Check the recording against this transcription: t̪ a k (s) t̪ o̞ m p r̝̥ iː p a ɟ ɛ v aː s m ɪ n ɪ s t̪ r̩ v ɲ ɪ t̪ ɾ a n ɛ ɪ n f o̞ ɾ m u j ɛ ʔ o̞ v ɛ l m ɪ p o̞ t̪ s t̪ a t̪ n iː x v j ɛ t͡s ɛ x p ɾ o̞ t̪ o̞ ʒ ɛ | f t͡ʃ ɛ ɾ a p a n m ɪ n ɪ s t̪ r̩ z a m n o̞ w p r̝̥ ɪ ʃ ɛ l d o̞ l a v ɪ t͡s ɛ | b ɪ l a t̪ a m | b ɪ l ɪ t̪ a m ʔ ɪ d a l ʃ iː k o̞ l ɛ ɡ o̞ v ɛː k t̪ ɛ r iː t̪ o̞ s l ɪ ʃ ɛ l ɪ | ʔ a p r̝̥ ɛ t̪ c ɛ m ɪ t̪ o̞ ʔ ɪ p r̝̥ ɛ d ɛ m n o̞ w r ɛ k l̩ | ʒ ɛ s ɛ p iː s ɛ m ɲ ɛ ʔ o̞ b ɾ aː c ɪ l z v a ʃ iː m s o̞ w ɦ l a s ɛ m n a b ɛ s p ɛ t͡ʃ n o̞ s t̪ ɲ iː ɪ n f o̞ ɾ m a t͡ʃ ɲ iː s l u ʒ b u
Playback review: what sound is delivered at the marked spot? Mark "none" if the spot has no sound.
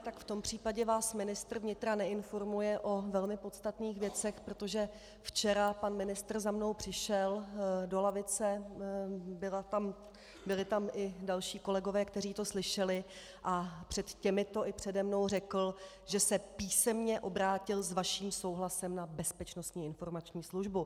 f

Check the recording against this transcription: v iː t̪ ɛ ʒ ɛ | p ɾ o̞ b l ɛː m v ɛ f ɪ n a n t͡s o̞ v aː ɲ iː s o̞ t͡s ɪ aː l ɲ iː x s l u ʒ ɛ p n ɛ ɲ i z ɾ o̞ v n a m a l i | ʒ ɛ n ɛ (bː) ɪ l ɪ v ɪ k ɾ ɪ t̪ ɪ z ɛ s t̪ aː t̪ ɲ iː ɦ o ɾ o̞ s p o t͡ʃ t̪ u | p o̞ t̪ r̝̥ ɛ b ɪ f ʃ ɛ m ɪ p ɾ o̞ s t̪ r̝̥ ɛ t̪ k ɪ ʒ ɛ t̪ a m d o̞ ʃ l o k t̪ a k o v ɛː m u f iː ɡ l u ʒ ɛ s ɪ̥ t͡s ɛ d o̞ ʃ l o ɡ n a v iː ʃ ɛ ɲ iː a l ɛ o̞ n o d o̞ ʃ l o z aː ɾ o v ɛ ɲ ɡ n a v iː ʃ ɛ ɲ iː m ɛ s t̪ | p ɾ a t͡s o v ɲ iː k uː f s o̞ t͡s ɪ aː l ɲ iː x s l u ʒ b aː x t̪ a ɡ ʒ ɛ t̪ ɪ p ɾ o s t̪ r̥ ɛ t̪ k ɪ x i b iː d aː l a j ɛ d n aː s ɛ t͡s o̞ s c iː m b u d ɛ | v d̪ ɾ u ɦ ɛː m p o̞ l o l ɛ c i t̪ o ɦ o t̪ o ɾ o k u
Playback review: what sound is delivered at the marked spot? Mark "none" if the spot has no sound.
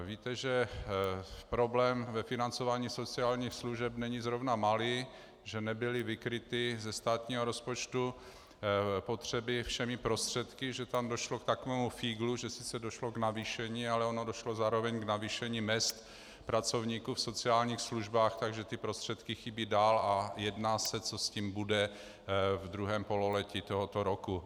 b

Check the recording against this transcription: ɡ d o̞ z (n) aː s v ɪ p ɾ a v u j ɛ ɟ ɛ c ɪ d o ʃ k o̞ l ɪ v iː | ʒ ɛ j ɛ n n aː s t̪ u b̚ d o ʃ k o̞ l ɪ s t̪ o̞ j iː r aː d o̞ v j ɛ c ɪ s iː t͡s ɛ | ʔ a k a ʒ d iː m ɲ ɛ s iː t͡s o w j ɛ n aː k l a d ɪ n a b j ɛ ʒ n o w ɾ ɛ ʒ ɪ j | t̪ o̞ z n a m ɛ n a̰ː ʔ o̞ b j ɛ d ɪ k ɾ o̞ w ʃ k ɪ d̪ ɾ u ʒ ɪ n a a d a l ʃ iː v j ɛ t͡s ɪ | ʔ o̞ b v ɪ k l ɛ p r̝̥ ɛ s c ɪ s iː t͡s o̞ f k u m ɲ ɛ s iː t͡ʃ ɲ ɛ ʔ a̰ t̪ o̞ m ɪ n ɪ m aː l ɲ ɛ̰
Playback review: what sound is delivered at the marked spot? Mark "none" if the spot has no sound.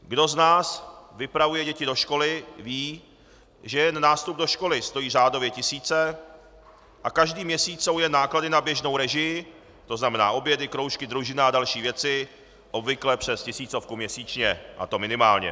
n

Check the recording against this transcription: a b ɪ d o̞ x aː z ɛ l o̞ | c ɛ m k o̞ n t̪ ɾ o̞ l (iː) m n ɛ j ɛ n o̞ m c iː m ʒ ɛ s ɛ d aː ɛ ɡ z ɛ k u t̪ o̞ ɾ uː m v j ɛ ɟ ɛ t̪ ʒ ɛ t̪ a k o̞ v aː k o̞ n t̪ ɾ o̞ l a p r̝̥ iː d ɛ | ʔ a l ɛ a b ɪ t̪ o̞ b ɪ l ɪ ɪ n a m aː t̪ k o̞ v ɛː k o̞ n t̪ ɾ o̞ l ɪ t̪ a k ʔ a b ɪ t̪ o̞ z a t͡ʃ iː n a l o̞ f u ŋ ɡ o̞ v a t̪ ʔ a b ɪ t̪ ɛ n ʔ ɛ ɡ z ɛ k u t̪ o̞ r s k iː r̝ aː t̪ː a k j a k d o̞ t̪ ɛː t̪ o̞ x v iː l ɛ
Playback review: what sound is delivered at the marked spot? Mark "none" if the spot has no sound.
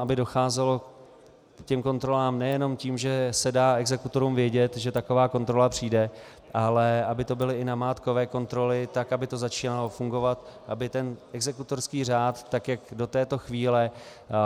aː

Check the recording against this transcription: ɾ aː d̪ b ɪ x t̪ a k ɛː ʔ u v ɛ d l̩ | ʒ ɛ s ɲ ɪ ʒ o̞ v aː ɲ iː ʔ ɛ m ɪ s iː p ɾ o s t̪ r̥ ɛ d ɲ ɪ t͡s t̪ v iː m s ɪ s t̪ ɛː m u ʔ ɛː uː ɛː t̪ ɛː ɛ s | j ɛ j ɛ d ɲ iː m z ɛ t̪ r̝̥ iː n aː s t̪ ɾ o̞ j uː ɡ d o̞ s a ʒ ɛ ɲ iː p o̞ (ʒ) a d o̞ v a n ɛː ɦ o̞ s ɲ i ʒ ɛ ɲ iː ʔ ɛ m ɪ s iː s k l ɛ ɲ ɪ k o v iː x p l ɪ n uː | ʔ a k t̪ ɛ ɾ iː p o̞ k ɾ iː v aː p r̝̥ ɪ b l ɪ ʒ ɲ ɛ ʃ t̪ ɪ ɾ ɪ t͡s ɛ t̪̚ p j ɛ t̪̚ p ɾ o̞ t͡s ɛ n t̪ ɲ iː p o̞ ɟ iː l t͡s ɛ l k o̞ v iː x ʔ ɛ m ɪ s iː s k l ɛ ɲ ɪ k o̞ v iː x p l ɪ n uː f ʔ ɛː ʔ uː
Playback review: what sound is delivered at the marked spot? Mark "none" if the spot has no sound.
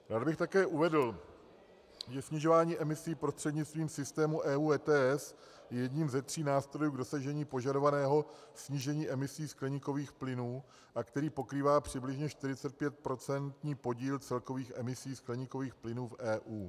ʒ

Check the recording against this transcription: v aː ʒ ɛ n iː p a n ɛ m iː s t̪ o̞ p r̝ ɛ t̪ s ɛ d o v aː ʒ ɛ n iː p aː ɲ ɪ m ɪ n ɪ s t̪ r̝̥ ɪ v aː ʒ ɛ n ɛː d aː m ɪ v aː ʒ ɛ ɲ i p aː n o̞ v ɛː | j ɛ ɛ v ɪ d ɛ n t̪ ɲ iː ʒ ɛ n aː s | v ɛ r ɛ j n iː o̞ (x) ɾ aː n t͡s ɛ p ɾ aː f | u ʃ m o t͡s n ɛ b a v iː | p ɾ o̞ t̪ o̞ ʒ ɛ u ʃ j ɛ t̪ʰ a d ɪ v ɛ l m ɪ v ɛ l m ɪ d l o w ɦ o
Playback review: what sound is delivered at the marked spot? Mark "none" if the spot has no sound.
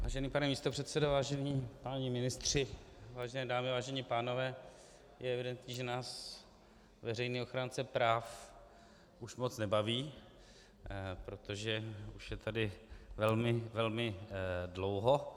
x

